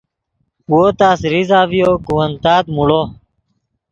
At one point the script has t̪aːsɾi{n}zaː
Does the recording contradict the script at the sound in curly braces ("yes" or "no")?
yes